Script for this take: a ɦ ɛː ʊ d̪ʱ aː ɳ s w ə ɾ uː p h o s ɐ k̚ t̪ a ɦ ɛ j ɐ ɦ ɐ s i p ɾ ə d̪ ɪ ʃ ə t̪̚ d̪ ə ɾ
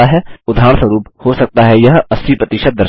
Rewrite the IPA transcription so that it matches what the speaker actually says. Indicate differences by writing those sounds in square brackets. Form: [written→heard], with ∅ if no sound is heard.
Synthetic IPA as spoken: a ɦ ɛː ʊ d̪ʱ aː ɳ s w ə ɾ uː p h o s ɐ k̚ t̪ a ɦ ɛ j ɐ ɦ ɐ s i p ɾ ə [d̪→t̪] ɪ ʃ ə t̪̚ d̪ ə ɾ